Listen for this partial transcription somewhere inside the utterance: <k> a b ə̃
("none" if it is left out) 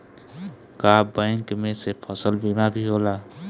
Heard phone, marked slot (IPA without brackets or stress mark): k